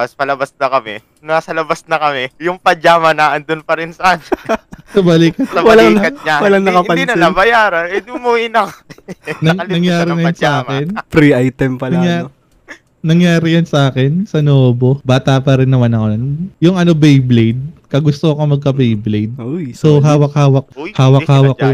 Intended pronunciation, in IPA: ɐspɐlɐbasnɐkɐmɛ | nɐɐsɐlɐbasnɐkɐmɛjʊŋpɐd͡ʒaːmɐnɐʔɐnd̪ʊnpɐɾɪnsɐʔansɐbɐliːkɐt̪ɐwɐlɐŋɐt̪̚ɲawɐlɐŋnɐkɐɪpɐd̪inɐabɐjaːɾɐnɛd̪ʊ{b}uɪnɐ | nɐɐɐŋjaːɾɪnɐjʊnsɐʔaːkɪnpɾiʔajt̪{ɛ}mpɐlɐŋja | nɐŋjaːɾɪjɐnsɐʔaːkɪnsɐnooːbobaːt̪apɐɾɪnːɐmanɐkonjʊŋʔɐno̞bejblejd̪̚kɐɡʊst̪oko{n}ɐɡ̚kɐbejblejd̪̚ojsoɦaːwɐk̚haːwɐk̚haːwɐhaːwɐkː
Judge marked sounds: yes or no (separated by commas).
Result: no, yes, no